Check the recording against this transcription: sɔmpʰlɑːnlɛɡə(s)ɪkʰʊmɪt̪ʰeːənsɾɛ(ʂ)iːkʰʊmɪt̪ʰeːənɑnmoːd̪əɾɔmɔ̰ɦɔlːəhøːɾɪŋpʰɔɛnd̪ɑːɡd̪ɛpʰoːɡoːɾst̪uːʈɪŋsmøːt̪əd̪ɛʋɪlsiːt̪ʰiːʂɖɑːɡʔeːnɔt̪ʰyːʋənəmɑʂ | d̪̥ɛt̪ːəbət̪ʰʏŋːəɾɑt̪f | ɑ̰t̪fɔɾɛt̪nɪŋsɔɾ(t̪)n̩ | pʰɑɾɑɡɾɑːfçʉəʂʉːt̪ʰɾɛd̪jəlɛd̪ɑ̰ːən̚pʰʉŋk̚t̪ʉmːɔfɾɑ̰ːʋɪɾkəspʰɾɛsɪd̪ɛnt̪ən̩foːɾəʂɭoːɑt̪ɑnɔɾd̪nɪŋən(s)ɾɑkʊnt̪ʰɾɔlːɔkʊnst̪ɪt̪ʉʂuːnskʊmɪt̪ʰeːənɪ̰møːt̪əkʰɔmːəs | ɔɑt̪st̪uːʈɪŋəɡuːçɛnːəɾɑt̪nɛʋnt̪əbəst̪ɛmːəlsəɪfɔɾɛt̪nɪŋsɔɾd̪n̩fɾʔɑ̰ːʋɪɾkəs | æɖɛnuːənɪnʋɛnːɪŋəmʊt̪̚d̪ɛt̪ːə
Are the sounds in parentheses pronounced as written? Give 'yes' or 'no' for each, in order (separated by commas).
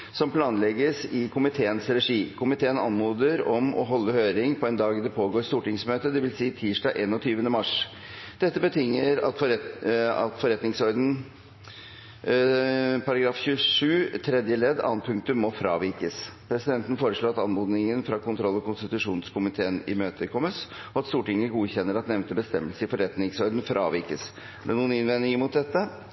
yes, yes, no, no